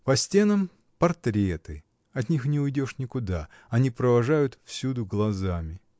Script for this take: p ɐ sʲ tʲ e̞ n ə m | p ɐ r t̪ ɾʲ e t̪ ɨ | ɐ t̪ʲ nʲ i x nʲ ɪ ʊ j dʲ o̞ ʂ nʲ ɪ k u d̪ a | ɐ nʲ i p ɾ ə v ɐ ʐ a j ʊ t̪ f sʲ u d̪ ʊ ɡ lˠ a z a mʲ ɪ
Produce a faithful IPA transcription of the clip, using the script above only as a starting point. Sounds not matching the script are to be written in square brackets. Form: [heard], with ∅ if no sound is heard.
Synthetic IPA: p ɐ sʲ tʲ e̞ n ə m | p ɐ r t̪ ɾʲ e t̪ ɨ | ɐ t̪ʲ nʲ i x nʲ ɪ ʊ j dʲ o̞ ʂ nʲ ɪ k [ʊ] d̪ a | ɐ nʲ i p ɾ ə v ɐ ʐ a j ʊ t̪ f sʲ u d̪ ʊ ɡ lˠ [ɐ] z a mʲ ɪ